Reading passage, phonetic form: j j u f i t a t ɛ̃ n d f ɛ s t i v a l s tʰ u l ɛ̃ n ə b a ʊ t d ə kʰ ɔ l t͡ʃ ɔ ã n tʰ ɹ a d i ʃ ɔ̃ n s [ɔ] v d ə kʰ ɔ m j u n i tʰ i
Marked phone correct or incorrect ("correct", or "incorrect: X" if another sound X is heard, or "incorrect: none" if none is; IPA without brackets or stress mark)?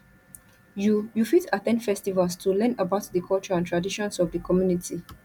correct